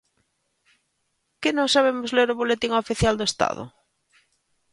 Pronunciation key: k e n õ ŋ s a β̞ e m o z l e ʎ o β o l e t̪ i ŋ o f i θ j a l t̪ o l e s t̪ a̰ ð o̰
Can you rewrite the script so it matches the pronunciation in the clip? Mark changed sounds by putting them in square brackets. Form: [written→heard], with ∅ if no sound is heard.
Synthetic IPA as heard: k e n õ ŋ s a β̞ e m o z l e [ʎ→ɾ] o β o l e t̪ i ŋ o f i θ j a l [t̪→d̪] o [l→∅] e s t̪ a̰ ð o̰